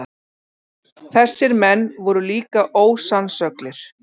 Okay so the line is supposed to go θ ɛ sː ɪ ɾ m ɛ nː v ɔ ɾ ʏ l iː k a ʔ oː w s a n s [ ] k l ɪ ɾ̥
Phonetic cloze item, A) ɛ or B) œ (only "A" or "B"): B